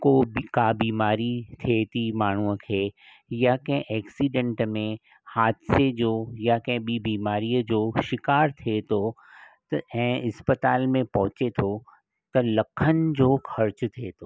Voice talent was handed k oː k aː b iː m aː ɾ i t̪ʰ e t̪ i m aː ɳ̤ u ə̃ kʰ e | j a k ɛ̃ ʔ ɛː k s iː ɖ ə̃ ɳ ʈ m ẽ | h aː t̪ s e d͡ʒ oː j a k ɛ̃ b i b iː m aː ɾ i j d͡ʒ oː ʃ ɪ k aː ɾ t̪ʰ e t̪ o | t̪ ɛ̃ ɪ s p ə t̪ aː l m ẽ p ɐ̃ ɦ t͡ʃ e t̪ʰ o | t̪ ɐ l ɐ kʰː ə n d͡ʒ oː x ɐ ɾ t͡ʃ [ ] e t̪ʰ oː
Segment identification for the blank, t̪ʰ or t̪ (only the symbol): t̪ʰ